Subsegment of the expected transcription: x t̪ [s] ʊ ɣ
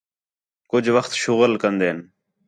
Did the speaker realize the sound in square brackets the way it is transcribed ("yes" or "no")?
no